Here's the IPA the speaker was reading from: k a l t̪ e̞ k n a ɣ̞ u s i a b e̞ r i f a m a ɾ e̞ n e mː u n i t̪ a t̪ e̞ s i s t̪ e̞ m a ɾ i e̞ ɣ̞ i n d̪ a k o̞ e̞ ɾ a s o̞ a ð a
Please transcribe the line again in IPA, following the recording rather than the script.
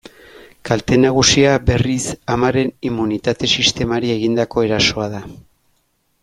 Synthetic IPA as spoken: k a l t̪ e̞ n a ɣ̞ u s i a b e̞ r i s a m a ɾ e̞ n i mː u n i t̪ a t̪ e̞ s i s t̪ e̞ m a ɾ i e̞ ɣ̞ i n d̪ a k o̞ e̞ ɾ a s o̞ a ð a